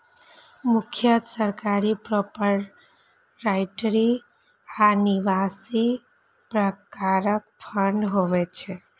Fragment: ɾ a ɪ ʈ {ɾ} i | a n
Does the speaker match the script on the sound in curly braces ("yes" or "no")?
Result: yes